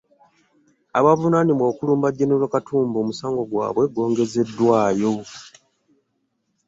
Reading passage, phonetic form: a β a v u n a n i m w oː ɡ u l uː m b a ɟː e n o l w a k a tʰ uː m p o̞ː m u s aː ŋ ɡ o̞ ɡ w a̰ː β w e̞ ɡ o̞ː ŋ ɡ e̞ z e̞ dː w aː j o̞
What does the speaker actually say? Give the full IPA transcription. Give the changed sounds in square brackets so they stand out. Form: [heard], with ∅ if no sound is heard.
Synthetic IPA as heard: a β a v u n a n i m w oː [k] u l uː m b a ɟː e n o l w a k a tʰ uː m [b] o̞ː m u s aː ŋ ɡ o̞ ɡ w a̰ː β w e̞ ɡ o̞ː ŋ ɡ e̞ z e̞ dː w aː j o̞